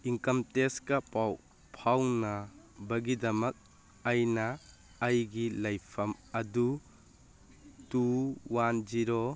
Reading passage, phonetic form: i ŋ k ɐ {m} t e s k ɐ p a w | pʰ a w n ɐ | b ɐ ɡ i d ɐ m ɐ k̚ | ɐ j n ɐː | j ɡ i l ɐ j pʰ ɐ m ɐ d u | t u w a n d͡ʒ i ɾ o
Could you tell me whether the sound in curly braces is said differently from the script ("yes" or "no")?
no